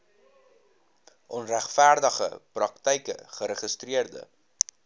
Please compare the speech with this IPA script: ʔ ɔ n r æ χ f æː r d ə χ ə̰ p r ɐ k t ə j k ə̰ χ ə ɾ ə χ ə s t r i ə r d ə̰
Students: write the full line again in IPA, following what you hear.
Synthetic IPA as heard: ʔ ɔ n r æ χ f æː r d ə χ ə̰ p r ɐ k t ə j k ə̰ χ ə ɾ ə χ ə s t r i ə r d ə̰